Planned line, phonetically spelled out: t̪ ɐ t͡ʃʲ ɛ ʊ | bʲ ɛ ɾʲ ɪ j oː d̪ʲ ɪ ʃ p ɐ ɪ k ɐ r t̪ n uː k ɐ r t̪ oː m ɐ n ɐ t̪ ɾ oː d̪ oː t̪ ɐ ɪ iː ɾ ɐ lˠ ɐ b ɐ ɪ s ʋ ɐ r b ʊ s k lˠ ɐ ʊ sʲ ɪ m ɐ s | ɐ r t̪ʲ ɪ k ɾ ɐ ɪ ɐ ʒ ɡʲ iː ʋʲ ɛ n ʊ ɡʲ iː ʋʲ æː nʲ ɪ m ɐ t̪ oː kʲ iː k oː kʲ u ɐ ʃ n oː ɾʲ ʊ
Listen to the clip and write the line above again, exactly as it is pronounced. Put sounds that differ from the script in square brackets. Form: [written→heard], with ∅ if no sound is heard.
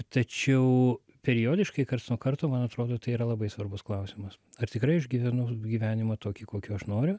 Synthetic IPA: t̪ ɐ t͡ʃʲ ɛ ʊ | [bʲ→pʲ] ɛ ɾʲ ɪ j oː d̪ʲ ɪ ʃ [p→k] ɐ ɪ k ɐ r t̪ n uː k ɐ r t̪ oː m ɐ n ɐ t̪ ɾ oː d̪ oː t̪ ɐ ɪ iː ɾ ɐ lˠ ɐ b ɐ ɪ s ʋ ɐ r b ʊ s k lˠ ɐ ʊ sʲ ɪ m ɐ s | ɐ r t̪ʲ ɪ k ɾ ɐ ɪ ɐ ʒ ɡʲ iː ʋʲ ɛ n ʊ ɡʲ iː ʋʲ æː nʲ ɪ m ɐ t̪ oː kʲ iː k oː kʲ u ɐ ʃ n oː ɾʲ ʊ